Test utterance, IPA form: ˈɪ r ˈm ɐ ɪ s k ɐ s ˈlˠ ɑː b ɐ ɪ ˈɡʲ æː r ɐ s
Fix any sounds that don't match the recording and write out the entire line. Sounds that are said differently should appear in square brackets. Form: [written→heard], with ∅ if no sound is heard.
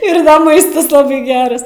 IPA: ˈɪ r ˈm ɐ ɪ s [k→t] ɐ s ˈlˠ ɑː b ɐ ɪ ˈɡʲ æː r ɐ s